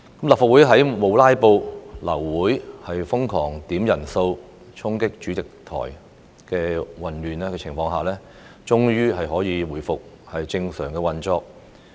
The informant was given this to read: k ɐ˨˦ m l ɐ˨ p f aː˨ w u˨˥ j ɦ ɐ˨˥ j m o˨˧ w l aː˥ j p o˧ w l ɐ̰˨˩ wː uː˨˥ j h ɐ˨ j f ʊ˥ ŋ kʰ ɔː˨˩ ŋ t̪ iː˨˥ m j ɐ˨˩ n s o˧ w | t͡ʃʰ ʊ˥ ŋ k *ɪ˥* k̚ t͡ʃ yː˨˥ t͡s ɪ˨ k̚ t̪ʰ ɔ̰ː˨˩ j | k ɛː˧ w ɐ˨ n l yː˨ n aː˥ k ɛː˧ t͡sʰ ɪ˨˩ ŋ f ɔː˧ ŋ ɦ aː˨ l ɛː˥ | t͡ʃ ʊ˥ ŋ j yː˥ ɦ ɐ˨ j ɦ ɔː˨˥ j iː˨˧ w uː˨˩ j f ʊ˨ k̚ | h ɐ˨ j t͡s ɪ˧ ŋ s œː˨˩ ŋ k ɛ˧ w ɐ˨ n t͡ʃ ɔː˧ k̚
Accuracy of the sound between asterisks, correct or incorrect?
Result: correct